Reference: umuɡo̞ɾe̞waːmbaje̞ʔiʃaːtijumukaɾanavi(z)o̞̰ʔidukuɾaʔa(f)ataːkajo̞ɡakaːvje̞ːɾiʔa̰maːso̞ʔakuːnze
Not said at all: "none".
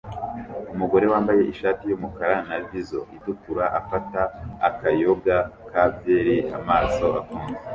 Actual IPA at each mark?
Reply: z, f

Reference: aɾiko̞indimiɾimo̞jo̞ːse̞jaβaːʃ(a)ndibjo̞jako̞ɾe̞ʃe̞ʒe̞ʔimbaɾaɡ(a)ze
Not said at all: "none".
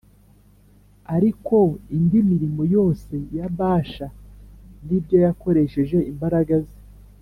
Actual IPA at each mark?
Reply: a, a

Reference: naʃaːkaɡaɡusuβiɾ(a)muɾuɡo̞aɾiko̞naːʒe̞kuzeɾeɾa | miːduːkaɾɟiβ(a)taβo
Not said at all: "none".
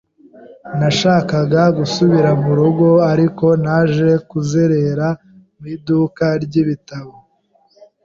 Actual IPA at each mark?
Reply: a, i

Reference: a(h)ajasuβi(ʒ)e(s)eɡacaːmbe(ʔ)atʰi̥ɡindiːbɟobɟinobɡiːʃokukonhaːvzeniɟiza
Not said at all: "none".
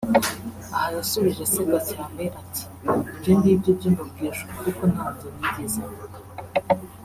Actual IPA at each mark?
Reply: h, ʒ, s, ʔ

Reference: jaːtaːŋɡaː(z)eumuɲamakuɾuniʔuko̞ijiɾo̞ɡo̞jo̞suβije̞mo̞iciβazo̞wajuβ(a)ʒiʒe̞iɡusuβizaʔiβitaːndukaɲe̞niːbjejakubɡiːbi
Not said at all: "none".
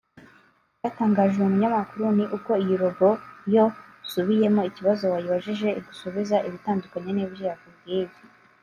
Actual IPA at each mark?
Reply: ʒ, a

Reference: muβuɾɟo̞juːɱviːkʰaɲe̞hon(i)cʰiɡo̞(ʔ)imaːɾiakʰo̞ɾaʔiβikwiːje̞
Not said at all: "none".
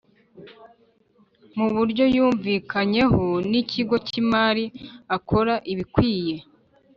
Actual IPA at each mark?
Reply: i, c

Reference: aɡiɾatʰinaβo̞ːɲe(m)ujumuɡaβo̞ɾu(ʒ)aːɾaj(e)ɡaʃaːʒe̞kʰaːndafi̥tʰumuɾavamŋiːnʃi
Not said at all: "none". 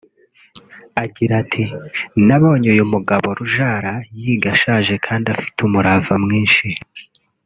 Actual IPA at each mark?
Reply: none, ʒ, i

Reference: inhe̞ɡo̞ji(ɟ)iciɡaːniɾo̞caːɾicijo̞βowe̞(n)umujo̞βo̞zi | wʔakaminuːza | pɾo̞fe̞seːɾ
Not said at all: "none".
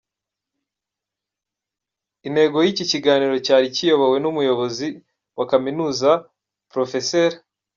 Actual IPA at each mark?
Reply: c, n

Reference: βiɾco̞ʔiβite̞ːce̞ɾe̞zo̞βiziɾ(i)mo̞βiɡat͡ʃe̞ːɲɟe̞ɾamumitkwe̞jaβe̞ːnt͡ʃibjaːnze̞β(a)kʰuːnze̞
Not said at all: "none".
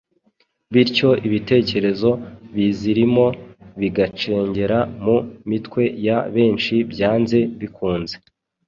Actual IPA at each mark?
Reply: i, i

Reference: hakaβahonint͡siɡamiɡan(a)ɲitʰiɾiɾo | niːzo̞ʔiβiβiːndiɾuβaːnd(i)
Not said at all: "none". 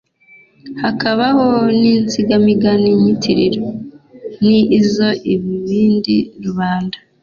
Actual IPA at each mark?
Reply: i, a

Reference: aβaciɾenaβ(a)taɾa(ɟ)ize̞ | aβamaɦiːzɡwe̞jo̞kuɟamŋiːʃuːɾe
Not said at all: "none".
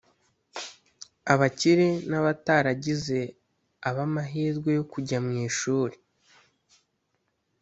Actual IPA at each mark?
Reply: a, ɟ

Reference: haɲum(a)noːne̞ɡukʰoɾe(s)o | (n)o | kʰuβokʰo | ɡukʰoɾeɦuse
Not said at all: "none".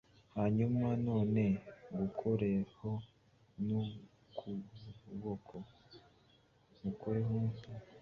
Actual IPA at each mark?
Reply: a, h, n

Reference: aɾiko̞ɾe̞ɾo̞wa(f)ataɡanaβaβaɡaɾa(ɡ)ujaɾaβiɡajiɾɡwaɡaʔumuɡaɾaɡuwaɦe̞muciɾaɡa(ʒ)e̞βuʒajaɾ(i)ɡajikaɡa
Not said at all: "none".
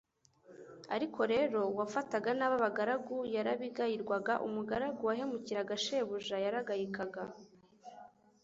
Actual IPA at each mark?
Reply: f, ɡ, ʃ, a

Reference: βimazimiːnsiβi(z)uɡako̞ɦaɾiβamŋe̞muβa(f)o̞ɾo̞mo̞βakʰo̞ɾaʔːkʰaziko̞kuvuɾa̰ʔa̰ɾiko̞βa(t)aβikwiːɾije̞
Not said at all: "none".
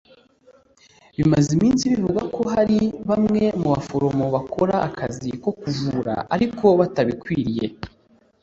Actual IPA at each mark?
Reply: v, f, t

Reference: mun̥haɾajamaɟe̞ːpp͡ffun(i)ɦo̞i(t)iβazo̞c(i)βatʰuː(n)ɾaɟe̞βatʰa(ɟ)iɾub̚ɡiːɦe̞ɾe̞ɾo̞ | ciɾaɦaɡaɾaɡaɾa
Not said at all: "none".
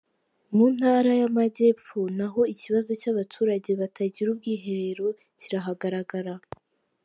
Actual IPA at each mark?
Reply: a, c, a, none, ɟ

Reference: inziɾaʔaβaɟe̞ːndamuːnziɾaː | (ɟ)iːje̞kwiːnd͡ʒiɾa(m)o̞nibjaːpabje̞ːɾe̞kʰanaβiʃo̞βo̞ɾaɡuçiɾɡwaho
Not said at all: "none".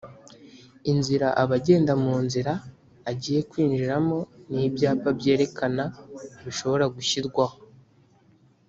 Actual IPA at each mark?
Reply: ɟ, m

